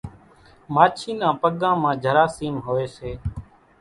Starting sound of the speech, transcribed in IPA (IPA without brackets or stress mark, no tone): m